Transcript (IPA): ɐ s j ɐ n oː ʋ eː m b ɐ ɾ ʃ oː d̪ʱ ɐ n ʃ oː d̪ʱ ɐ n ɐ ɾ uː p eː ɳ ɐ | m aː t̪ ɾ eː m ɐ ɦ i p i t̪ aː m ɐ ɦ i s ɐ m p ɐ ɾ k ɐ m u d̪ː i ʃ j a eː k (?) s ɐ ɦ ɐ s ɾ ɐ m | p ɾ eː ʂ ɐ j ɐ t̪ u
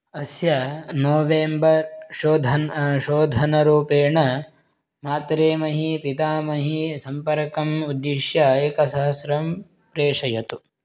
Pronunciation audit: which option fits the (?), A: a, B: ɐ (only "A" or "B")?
B